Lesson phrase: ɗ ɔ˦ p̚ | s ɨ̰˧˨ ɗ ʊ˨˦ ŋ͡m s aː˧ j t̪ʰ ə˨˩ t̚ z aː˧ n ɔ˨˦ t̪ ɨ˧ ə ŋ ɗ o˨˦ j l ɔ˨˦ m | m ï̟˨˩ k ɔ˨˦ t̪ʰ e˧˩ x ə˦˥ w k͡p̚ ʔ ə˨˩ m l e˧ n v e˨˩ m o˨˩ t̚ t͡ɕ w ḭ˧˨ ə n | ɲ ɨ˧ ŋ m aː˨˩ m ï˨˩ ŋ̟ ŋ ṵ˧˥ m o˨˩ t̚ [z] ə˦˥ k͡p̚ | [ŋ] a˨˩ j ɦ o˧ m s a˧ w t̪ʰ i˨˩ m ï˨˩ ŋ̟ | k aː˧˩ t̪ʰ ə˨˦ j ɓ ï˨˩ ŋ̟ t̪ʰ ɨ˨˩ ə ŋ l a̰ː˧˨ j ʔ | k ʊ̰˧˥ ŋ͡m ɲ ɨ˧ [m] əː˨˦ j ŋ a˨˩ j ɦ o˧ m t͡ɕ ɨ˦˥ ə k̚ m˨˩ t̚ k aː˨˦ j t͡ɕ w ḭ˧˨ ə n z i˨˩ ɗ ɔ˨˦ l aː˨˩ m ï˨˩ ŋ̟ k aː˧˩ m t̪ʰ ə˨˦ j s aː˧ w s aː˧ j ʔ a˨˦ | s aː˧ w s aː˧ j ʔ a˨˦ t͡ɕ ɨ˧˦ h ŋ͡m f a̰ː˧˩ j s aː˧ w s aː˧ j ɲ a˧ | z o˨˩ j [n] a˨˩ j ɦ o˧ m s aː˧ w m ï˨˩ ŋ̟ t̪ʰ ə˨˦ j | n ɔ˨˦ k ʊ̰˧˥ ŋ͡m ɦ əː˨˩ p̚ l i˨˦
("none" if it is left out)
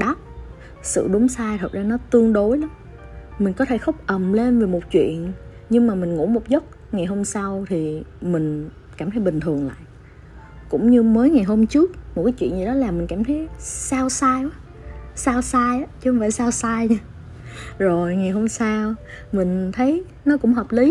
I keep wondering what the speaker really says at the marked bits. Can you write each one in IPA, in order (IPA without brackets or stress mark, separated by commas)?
z, ŋ, m, ŋ